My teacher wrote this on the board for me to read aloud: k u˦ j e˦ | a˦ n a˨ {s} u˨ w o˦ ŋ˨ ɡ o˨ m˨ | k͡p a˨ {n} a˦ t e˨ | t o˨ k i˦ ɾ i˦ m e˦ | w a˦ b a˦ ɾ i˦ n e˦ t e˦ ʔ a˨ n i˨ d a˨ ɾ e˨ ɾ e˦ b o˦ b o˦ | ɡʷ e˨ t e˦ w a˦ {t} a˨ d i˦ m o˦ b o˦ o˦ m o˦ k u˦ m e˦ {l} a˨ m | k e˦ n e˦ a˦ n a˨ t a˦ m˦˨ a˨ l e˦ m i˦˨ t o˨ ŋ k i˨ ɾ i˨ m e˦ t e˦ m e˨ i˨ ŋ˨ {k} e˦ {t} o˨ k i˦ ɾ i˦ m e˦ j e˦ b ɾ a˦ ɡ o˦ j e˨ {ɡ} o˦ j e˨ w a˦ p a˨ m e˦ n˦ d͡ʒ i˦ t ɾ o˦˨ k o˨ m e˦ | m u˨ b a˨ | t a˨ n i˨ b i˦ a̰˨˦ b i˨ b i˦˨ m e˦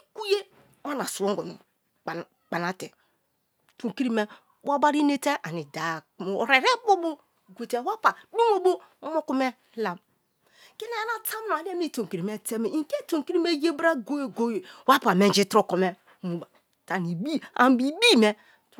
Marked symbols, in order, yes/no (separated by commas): yes, yes, no, yes, yes, yes, yes